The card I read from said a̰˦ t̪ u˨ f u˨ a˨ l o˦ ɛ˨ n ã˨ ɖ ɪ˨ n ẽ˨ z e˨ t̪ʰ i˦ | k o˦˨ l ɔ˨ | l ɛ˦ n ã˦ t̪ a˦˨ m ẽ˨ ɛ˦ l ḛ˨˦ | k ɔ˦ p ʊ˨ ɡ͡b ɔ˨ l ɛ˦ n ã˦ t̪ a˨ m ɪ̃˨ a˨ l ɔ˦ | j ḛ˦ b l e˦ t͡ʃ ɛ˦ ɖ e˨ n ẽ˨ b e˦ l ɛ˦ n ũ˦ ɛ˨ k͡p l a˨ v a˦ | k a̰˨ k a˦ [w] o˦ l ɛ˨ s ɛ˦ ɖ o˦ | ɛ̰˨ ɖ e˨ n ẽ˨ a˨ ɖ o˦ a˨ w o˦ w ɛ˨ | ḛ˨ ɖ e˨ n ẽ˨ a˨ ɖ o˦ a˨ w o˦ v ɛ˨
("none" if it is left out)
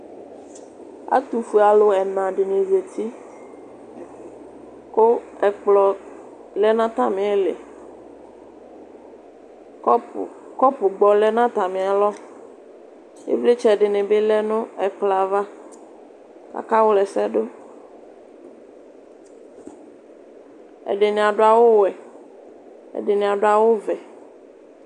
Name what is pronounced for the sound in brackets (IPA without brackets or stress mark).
w